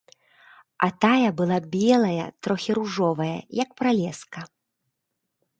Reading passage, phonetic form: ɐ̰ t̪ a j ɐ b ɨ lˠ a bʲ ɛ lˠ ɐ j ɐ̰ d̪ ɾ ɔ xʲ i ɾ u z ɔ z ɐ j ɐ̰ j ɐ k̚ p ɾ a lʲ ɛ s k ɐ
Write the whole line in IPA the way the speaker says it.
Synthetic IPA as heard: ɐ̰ t̪ a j ɐ b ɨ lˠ a bʲ ɛ lˠ ɐ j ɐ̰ t̪ ɾ ɔ xʲ i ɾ u ʐ ɔ v ɐ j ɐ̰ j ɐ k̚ p ɾ a lʲ ɛ s k ɐ